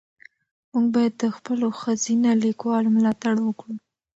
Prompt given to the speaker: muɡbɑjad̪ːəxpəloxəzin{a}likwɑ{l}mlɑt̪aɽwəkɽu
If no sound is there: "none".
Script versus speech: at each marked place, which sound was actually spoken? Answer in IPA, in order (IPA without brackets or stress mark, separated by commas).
a, l